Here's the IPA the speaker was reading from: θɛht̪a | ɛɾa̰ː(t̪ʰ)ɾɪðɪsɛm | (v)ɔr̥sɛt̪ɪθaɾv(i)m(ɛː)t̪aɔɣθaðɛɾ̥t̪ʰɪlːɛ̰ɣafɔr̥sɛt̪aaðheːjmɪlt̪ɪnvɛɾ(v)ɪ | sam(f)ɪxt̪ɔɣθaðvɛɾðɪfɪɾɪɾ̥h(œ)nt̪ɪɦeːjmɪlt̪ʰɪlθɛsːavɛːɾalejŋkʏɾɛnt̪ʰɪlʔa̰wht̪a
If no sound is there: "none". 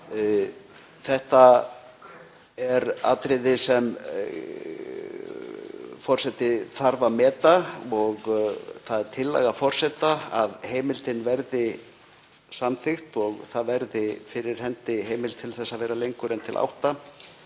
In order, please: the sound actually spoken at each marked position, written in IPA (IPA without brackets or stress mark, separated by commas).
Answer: t̪, f, a, ɛː, ð, θ, ɛ